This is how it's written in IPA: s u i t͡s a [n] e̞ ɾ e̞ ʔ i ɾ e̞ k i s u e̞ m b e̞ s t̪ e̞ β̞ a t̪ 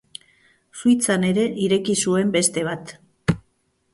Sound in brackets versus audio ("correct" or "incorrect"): correct